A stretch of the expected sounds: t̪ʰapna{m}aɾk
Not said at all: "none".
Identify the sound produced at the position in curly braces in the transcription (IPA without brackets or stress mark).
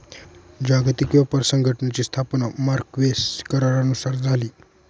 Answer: m